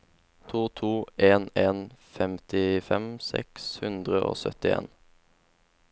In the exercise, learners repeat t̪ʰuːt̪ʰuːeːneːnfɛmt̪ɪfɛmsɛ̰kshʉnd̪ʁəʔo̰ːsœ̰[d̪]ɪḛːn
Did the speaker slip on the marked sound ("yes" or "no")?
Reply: yes